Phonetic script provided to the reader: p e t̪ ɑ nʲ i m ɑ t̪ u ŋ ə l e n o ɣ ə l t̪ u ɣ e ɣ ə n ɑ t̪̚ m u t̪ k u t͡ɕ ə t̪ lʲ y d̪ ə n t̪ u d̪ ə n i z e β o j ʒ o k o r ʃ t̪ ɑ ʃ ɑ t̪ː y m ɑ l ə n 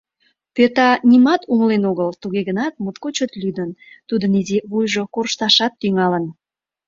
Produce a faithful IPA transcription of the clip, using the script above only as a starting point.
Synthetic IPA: p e t̪ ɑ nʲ i m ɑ t̪ u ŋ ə l e n o ɣ ə l t̪ u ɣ e ɣ ə n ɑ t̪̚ m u t̪ k o t͡ɕ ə t̪ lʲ y d̪ ə n t̪ u d̪ ə n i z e β u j ʒ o k o r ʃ t̪ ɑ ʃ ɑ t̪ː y ŋ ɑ l ə n